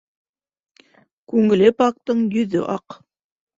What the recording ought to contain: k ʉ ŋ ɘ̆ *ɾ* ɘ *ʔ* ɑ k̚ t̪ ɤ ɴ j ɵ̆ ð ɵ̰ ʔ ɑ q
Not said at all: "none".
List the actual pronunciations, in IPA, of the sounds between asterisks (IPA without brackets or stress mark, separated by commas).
l, p